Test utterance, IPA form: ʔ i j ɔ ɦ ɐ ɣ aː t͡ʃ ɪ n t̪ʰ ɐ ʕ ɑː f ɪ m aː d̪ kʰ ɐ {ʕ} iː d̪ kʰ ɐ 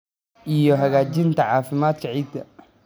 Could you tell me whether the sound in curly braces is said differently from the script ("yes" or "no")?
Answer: no